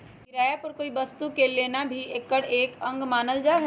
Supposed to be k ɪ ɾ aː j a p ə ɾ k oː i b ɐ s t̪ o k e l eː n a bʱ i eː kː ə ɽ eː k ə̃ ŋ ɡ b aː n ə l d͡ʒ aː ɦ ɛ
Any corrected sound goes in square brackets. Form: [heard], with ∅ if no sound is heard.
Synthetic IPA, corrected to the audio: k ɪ ɾ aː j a p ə ɾ k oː i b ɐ s t̪ [u] k e l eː n a bʱ i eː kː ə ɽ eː k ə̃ ŋ ɡ [m] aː n ə l d͡ʒ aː ɦ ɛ

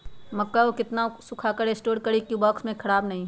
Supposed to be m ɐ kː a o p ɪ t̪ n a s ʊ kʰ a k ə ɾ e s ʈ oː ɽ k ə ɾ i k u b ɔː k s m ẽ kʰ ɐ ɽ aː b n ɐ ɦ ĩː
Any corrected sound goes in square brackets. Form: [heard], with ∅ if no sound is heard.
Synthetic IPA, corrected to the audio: m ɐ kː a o [k] ɪ t̪ n a s ʊ kʰ a k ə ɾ e s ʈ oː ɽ k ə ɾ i k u b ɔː k s m ẽ kʰ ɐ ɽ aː b n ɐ ɦ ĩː

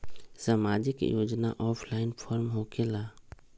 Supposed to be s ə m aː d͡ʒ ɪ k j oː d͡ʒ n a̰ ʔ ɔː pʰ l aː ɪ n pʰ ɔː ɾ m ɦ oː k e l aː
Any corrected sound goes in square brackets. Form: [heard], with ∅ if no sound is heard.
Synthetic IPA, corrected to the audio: s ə m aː d͡ʒ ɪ k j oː d͡ʒ n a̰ ʔ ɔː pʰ l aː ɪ n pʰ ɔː ɾ m ɦ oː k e l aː

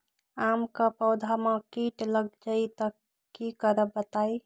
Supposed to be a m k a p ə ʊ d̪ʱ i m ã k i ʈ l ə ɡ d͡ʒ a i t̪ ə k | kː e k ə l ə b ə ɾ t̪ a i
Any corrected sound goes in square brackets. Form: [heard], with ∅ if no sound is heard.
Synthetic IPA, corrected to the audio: a m k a p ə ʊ d̪ʱ [a] m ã k i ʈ l ə ɡ d͡ʒ a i t̪ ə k | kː [i] k ə [ɾ] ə b ə [∅] t̪ a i

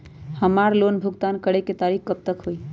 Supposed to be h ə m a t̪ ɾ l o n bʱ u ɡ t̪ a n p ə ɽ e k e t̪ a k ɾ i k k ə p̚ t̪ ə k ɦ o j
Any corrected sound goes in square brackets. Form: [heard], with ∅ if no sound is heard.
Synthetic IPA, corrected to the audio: h ə m a [∅] ɾ l o n bʱ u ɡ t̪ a n [k] ə ɽ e k e t̪ a [∅] ɾ i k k ə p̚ t̪ ə k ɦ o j

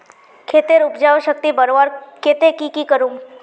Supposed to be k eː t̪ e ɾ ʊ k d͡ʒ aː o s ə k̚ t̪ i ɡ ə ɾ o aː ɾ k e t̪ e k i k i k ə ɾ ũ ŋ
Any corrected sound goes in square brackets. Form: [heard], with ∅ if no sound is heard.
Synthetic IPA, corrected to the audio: [kʰ] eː t̪ e ɾ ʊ [p] d͡ʒ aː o [ʃ] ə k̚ t̪ i [b] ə ɾ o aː ɾ k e t̪ e k i k i k ə ɾ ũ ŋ

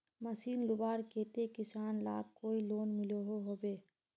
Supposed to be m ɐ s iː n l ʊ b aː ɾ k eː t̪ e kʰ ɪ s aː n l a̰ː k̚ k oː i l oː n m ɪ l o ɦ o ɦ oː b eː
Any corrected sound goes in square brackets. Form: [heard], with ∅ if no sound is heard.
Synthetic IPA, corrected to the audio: m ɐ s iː n l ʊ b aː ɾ k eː t̪ e [k] ɪ s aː n l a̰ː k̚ k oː i l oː n m ɪ l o ɦ o ɦ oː b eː

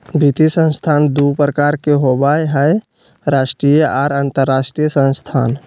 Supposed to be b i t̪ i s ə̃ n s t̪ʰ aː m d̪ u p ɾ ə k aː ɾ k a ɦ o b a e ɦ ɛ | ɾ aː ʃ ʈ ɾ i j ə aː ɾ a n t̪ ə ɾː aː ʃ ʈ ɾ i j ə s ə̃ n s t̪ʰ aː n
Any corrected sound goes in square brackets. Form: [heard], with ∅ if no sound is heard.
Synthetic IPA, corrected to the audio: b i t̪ i s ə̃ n s t̪ʰ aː [n] d̪ u p ɾ ə k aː ɾ k [e] ɦ o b a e ɦ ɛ | ɾ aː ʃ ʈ ɾ i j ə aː ɾ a n t̪ ə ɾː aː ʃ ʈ ɾ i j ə s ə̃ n s t̪ʰ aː n

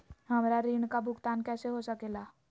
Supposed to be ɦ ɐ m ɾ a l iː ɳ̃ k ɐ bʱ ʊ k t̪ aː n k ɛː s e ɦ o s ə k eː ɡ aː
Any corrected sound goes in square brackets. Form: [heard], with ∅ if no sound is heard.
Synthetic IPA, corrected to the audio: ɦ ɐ m ɾ a [ɾ] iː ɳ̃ k [a] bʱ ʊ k t̪ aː n k ɛː s e ɦ o s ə k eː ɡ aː

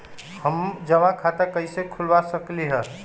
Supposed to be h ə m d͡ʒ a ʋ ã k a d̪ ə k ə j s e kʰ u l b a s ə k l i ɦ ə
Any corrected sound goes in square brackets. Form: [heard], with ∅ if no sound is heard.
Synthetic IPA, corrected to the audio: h ə m d͡ʒ [ə] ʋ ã [kʰ] a [t̪] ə k ə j s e kʰ u l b a s ə k l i ɦ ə

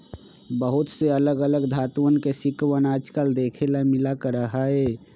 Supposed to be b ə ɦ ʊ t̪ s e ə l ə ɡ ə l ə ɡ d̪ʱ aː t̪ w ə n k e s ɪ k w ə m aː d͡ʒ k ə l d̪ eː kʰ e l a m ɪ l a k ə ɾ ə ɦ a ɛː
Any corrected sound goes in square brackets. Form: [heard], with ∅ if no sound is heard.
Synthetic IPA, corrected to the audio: b ə ɦ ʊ t̪ s e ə l ə ɡ ə l ə ɡ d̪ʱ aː t̪ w ə n k e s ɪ k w ə [n] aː d͡ʒ k ə l d̪ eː kʰ e l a m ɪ l a k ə ɾ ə ɦ a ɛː

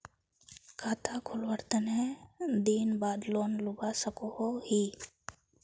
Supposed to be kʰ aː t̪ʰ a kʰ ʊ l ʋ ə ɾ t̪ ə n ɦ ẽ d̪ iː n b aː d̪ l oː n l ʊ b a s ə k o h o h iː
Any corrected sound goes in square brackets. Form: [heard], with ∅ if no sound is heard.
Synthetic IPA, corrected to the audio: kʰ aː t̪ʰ a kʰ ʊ l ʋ ə ɾ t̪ ə n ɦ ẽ d̪ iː n b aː d̪ l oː n l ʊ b a s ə k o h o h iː

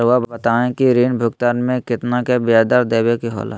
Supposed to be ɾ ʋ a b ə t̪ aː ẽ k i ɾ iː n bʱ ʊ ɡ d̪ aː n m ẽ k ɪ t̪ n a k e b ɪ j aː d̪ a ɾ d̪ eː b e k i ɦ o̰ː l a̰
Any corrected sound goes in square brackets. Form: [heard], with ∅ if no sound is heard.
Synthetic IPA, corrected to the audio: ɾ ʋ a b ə t̪ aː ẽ k i ɾ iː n bʱ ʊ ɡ [t̪] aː n m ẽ k ɪ t̪ n a k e b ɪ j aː d̪ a ɾ d̪ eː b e k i ɦ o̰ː l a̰

